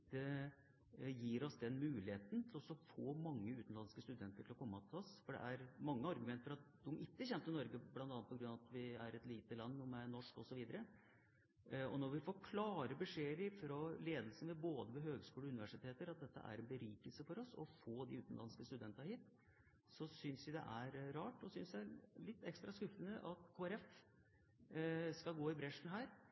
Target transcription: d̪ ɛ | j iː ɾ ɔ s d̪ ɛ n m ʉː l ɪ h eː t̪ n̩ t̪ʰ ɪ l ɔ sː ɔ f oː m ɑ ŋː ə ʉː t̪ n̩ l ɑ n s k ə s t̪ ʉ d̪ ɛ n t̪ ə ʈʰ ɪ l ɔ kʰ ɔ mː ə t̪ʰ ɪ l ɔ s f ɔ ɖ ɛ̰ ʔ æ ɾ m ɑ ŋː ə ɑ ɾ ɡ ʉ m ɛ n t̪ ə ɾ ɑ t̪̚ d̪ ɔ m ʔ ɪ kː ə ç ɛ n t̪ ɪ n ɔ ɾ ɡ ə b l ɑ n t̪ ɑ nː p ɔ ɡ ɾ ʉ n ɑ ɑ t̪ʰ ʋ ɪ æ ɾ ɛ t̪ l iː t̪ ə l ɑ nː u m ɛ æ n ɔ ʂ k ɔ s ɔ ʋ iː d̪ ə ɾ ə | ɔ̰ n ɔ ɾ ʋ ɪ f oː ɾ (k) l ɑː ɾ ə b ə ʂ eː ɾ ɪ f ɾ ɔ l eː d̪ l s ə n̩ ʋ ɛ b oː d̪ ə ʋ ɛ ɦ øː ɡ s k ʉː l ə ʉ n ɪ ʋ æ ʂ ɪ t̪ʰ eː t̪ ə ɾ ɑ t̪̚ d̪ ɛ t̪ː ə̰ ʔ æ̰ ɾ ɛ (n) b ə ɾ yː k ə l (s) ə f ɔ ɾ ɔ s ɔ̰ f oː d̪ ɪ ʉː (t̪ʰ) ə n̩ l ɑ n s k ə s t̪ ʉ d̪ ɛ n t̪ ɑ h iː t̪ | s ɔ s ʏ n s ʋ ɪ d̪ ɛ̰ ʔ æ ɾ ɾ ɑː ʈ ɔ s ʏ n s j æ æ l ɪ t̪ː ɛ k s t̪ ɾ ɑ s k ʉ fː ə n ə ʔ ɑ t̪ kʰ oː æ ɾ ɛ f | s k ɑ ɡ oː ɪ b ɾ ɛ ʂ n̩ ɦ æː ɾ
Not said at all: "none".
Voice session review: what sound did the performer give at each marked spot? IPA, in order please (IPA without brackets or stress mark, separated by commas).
kʰ, n, s, t̪